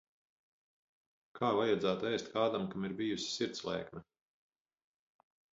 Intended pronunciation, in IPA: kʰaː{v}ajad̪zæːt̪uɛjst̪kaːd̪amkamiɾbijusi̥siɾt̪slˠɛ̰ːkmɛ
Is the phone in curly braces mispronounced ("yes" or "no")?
no